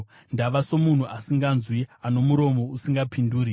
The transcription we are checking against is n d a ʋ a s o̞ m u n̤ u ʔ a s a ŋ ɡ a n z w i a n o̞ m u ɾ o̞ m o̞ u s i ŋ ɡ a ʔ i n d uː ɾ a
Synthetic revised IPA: n d a ʋ a s o̞ m u n̤ u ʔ a s i ŋ ɡ a n z w i a n o̞ m u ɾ o̞ m o̞ u s i ŋ ɡ a p i n d uː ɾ i

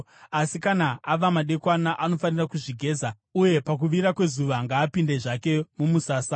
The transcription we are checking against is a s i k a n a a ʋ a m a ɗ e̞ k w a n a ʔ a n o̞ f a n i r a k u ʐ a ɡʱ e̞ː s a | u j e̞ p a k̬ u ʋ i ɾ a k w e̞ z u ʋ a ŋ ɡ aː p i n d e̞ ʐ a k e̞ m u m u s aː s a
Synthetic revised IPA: a s i k a n a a ʋ a m a ɗ e̞ k w a n a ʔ a n o̞ f a n i r a k u ʐ i ɡʱ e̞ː z a | u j e̞ p a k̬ u ʋ i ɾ a k w e̞ z u ʋ a ŋ ɡ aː p i n d e̞ ʐ a k e̞ m u m u s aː s a

